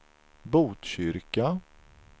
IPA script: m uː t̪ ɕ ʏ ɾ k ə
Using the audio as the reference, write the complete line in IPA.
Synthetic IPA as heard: b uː t̪ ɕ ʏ ɾ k a